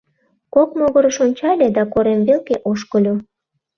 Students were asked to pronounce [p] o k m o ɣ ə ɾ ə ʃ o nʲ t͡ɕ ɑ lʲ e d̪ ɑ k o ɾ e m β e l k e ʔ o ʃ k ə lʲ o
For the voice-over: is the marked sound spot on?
no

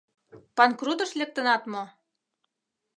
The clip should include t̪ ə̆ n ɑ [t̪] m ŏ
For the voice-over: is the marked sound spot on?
yes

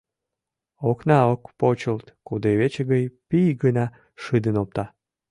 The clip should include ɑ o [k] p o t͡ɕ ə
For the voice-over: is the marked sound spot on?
yes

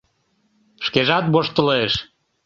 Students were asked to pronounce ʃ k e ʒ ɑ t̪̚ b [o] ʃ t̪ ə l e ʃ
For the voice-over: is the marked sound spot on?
yes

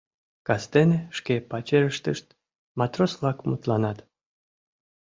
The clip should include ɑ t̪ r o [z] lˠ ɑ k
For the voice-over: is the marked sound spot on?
no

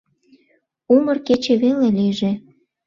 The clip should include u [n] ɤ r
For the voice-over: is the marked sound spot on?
no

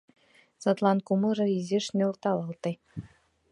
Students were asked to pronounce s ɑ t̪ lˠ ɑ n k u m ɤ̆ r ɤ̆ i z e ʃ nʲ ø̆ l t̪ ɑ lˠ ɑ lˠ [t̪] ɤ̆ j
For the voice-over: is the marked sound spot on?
yes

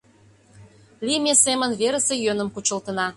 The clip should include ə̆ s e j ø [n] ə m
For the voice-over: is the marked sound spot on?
yes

